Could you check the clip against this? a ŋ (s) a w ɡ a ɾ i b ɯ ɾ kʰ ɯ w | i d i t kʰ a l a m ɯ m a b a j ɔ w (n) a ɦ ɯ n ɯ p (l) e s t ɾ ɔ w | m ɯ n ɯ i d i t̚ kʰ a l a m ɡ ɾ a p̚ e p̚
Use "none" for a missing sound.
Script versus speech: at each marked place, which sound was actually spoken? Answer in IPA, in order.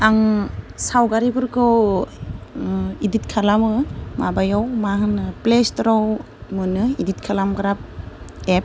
s, m, l

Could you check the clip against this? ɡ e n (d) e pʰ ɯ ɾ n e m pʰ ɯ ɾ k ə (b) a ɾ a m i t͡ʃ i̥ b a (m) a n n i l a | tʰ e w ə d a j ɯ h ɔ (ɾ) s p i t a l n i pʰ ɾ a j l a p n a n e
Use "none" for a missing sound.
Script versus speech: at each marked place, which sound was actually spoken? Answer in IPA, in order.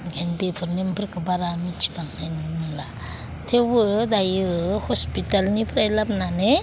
b, b, ŋ, none

